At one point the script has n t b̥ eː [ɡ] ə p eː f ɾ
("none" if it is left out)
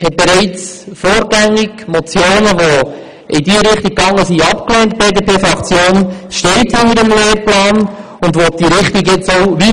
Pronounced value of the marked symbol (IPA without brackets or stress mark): d